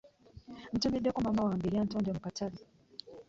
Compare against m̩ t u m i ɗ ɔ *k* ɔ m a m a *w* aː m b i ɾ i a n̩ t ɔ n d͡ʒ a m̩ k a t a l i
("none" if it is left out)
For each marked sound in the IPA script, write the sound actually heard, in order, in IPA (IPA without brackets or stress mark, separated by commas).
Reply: k, w